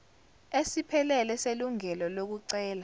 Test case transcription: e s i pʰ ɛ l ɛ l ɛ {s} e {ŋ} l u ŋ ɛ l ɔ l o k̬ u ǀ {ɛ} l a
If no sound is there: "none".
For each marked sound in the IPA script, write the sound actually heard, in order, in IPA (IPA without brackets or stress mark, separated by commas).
s, none, ɛː